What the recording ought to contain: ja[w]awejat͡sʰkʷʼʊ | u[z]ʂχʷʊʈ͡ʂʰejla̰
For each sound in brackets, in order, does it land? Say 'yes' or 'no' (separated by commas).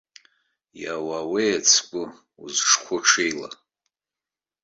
yes, yes